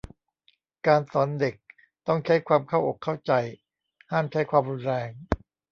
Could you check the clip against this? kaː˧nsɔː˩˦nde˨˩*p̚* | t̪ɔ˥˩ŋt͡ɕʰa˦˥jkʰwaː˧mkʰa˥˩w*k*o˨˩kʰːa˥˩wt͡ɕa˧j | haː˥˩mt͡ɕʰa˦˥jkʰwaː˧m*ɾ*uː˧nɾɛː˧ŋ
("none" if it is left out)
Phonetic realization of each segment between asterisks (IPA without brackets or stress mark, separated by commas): k̚, ʔ, ɾ